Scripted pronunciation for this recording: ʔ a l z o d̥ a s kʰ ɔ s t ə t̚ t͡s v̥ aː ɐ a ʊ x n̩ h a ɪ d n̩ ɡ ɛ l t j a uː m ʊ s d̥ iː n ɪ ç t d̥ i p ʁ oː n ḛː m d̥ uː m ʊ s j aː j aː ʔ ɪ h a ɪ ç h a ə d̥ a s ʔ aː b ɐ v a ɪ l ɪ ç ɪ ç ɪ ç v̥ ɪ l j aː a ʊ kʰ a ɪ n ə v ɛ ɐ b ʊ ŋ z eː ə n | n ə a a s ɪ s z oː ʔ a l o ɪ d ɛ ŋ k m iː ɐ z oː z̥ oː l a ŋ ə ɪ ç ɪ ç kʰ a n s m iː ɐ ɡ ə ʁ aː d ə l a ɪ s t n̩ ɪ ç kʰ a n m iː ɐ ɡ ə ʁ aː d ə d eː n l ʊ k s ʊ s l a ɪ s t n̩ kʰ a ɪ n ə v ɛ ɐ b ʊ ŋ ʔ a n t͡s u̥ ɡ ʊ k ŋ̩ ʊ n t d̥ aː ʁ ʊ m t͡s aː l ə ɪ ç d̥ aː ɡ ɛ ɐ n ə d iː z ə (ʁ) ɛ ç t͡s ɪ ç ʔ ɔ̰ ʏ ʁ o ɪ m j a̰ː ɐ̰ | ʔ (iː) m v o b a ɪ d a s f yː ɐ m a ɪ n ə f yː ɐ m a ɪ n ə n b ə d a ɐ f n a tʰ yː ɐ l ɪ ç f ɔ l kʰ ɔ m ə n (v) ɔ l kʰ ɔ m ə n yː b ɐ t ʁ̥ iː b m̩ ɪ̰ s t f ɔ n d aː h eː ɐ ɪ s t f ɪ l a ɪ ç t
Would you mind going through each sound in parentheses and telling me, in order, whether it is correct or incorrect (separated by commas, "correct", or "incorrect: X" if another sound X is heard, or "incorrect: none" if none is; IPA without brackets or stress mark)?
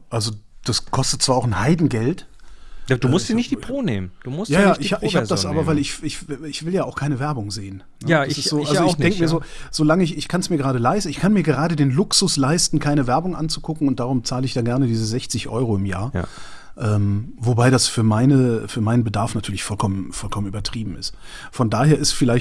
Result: incorrect: z, incorrect: ɛː, incorrect: f